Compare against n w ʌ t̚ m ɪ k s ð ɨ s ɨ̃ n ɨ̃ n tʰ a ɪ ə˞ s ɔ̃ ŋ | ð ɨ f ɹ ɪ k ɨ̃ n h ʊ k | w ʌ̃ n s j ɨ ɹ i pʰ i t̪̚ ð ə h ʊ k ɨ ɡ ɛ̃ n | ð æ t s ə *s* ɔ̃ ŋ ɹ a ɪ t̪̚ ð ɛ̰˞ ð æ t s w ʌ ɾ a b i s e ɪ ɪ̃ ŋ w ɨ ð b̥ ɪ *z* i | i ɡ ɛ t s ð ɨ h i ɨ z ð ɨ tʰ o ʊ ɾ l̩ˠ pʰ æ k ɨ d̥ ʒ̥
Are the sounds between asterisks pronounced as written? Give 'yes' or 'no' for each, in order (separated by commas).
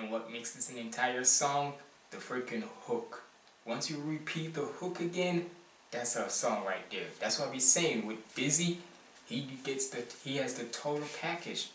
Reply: yes, yes